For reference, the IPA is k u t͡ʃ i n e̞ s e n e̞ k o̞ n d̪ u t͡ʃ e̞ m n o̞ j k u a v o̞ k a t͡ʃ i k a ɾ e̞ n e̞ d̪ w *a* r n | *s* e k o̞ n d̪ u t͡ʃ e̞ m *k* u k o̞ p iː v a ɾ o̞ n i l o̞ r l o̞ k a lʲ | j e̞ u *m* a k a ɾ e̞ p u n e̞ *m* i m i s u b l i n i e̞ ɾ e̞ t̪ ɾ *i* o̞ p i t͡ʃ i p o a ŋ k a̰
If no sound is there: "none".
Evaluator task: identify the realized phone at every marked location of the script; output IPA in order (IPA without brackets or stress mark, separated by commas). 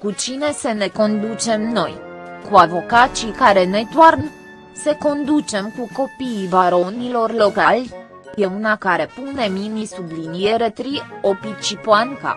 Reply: a, s, k, n, m, i